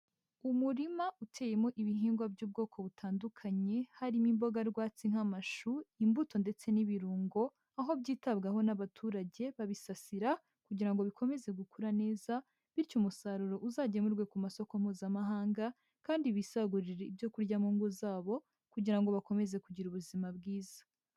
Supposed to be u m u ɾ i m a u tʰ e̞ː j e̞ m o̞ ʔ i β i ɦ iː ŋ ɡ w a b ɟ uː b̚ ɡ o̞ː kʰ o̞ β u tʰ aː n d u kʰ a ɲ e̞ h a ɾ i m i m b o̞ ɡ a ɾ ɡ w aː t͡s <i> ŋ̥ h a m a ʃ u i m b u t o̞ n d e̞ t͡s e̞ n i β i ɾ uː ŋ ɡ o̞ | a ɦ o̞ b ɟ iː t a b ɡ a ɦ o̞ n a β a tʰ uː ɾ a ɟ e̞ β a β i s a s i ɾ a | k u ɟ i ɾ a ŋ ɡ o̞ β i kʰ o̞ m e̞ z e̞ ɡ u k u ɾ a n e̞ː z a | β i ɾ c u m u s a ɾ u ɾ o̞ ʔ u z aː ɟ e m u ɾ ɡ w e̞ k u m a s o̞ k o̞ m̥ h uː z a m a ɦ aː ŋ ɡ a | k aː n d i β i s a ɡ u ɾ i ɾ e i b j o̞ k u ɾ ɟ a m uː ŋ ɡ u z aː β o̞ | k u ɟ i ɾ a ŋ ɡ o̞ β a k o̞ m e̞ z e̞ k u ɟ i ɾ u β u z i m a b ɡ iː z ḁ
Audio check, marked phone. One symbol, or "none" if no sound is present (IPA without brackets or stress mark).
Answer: i